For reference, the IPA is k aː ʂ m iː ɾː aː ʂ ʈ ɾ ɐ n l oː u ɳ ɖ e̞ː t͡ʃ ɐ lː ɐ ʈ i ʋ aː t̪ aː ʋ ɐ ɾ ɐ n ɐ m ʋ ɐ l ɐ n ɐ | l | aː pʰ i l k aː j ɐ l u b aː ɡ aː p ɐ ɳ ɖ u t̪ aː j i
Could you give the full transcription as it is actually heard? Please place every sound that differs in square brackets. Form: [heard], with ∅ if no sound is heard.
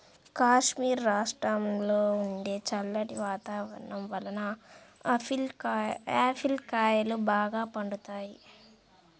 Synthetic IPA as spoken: k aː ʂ m iː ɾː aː ʂ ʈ ɾ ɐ [m] l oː u ɳ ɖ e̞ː t͡ʃ ɐ lː ɐ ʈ i ʋ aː t̪ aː ʋ ɐ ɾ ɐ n ɐ m ʋ ɐ l ɐ n ɐ | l | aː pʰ i l k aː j ɐ l u b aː ɡ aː p ɐ ɳ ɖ u t̪ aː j i